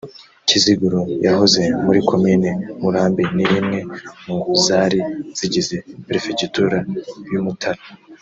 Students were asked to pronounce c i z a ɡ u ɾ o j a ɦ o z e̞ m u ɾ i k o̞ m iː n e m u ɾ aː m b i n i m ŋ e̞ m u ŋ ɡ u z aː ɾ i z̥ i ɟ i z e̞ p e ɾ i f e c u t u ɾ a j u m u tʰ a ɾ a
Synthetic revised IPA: c i z i ɡ u ɾ o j a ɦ o z e̞ m u ɾ i k o̞ m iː n e m u ɾ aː m b i n i m ŋ e̞ m u ŋ ɡ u z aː ɾ i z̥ i ɟ i z e̞ p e ɾ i f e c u t u ɾ a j u m u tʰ a ɾ a

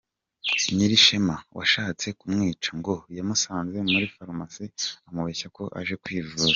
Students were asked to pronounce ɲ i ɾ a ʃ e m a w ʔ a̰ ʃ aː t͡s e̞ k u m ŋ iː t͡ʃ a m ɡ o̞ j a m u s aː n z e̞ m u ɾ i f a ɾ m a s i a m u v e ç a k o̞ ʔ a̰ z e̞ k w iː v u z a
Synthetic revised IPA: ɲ i ɾ i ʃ e m a w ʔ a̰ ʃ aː t͡s e̞ k u m ŋ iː t͡ʃ a ŋ ɡ o̞ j a m u s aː n z e̞ m u ɾ i f a ɾ m a s i a m u β e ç a k o̞ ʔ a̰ ʒ e̞ k w iː v u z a

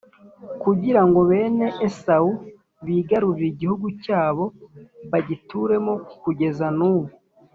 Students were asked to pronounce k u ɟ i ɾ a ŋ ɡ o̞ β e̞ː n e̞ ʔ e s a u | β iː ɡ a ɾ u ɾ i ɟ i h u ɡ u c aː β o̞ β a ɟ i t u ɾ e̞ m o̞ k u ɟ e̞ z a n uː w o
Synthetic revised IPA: k u ɟ i ɾ a ŋ ɡ o̞ β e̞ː n e̞ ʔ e s a u | β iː ɡ a ɾ u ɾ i ɟ i h u ɡ u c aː β o̞ β a ɟ i t u ɾ e̞ m o̞ k u ɟ e̞ z a n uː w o

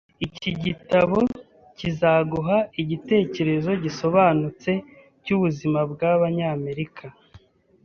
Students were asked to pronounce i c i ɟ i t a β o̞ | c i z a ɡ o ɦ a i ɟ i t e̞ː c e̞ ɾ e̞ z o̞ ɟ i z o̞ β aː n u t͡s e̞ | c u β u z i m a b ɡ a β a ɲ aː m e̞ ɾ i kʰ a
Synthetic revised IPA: i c i ɟ i t a β o̞ | c i z a ɡ u ɦ a i ɟ i t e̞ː c e̞ ɾ e̞ z o̞ ɟ i s o̞ β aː n u t͡s e̞ | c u β u z i m a b ɡ a β a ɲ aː m e̞ ɾ i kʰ a

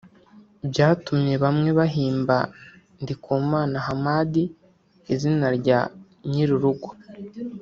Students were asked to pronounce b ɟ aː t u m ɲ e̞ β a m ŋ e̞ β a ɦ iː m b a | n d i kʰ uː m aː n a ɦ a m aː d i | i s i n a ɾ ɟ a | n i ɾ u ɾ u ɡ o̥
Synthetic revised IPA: b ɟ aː t u m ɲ e̞ β a m ŋ e̞ β a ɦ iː m b a | n d i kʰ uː m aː n a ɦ a m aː d i | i z i n a ɾ ɟ a | ɲ i ɾ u ɾ u ɡ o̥

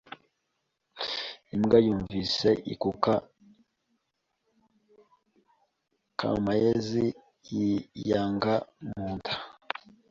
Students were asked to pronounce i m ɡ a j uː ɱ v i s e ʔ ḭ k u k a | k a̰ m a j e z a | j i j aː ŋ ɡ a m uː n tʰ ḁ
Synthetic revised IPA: i m ɡ a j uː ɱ v i s e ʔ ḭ k u k a | k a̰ m a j e z i | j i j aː ŋ ɡ a m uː n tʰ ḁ

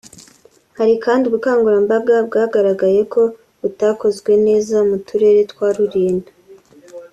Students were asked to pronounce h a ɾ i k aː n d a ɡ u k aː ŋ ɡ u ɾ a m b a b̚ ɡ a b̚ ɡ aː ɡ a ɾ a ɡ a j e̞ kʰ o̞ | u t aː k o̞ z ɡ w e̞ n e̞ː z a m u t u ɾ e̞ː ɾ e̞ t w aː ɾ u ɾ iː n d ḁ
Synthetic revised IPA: h a ɾ i k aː n d i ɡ u k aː ŋ ɡ u ɾ a m b a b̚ ɡ a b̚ ɡ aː ɡ a ɾ a ɡ a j e̞ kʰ o̞ | u t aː k o̞ z ɡ w e̞ n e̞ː z a m u t u ɾ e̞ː ɾ e̞ t w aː ɾ u ɾ iː n d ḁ

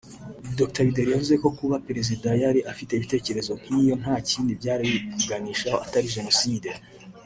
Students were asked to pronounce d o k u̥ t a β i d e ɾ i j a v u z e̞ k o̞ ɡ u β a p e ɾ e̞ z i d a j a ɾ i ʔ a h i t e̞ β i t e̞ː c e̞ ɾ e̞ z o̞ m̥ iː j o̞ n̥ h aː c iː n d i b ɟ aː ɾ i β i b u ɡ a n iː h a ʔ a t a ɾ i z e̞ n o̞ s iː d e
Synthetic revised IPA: d o k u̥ t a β i d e ɾ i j a v u z e̞ k o̞ k u β a p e ɾ e̞ z i d a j a ɾ i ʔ a f i t e̞ β i t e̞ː c e̞ ɾ e̞ z o̞ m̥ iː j o̞ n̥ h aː c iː n d i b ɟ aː ɾ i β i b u ɡ a n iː ʃ a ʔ a t a ɾ i ʒ e̞ n o̞ s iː d e

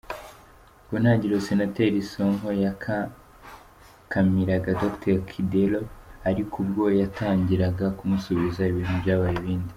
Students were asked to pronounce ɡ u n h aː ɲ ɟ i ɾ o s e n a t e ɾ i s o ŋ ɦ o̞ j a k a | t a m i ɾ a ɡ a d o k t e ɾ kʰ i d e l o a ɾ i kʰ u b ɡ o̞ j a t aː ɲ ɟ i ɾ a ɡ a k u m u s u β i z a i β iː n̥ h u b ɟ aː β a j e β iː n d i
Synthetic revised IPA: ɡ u n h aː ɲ ɟ i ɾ o s e n a t e ɾ i s o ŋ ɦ o̞ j a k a | k a m i ɾ a ɡ a d o k t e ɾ kʰ i d e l o a ɾ i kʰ u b ɡ o̞ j a t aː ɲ ɟ i ɾ a ɡ a k u m u s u β i z a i β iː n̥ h u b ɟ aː β a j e β iː n d i

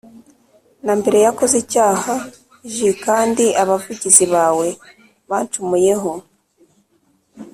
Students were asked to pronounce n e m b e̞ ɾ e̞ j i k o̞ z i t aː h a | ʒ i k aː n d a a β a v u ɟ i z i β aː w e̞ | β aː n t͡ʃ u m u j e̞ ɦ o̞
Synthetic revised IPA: n a m b e̞ ɾ e̞ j a k o̞ z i c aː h a | ʒ i k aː n d i a β a v u ɟ i z i β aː w e̞ | β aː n t͡ʃ u m u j e̞ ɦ o̞

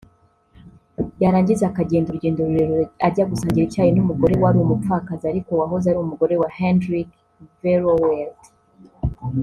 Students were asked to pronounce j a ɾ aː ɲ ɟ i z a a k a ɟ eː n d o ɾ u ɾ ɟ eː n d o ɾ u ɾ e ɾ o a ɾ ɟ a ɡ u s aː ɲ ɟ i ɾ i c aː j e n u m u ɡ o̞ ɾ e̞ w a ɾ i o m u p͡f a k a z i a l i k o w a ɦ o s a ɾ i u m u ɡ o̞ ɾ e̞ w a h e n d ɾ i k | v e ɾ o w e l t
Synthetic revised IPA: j a ɾ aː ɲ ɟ i z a a k a ɟ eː n d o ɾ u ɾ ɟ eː n d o ɾ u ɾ e ɾ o a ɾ ɟ a ɡ u s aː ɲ ɟ i ɾ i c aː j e n u m u ɡ o̞ ɾ e̞ w a ɾ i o m u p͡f a k a z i a ɾ i k o w a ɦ o z a ɾ i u m u ɡ o̞ ɾ e̞ w a h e n d ɾ i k | v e ɾ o w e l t

